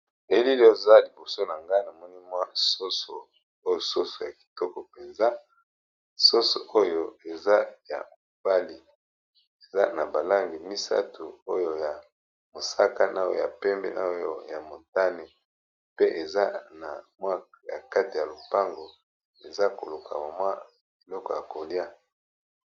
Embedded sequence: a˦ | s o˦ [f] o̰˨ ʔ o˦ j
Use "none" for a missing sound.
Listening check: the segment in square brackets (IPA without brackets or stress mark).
s